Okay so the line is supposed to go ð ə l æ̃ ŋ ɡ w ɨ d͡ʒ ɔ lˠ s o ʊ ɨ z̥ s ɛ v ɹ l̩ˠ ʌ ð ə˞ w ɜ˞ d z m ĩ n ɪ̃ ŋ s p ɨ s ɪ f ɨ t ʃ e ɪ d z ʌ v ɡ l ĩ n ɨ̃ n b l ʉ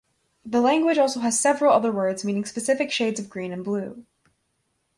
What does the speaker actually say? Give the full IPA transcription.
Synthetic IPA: ð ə l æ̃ ŋ ɡ w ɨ d͡ʒ ɔ lˠ s o ʊ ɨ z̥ s ɛ v ɹ l̩ˠ ʌ ð ə˞ w ɜ˞ d z m ĩ n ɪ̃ ŋ s p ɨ s ɪ f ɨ k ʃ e ɪ d z ʌ v ɡ ɹ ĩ n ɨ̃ n b l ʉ